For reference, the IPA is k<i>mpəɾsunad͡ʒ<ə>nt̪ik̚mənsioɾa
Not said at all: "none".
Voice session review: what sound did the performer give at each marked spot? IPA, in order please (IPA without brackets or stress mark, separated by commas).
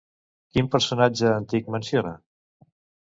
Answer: i, əː